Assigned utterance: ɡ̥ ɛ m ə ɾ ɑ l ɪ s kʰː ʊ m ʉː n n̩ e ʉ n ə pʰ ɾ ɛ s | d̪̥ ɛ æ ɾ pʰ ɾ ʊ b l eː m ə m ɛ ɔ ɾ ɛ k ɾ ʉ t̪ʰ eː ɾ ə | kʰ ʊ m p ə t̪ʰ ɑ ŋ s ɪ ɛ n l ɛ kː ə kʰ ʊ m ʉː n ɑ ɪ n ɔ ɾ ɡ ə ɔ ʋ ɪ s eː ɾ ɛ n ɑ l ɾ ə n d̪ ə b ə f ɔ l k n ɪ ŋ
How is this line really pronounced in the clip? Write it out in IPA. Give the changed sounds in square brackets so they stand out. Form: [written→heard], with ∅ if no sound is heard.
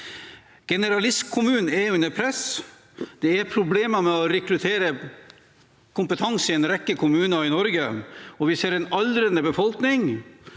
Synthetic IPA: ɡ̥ ɛ [m→n] ə ɾ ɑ l ɪ s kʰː ʊ m ʉː n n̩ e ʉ n ə pʰ ɾ ɛ s | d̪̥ ɛ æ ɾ pʰ ɾ ʊ b l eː m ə m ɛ ɔ ɾ ɛ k ɾ ʉ t̪ʰ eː ɾ ə | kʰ ʊ m p ə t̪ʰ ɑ ŋ s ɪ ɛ n [l→ɾ] ɛ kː ə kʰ ʊ m ʉː n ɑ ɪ n ɔ ɾ ɡ ə ɔ ʋ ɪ s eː ɾ ɛ n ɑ l ɾ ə n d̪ ə b ə f ɔ l k n ɪ ŋ